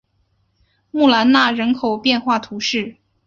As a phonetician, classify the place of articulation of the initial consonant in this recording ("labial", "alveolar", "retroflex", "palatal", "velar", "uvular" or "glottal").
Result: labial